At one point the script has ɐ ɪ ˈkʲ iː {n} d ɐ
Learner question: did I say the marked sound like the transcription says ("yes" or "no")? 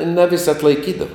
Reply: no